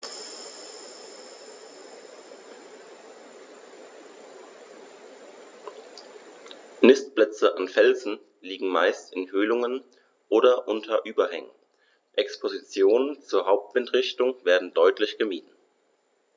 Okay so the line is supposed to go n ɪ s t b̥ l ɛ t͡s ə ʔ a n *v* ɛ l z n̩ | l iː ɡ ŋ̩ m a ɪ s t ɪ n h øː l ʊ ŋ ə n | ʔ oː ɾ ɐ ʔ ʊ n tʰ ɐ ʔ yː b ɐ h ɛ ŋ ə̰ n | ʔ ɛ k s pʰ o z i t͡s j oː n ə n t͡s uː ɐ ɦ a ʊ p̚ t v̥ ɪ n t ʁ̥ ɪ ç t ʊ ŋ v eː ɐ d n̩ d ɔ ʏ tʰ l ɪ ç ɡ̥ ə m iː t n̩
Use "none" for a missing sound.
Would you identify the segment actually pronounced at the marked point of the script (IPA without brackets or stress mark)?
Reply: f